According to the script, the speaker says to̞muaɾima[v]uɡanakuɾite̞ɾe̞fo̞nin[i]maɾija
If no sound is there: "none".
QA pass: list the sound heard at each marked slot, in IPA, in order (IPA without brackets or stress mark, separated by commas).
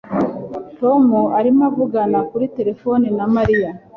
v, a